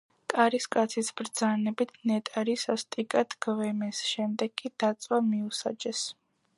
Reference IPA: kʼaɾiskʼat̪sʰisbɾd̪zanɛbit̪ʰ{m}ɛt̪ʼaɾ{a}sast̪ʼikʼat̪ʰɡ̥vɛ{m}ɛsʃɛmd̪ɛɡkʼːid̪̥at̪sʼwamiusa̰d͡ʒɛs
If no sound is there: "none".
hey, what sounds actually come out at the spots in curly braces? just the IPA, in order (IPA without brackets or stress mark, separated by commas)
n, i, m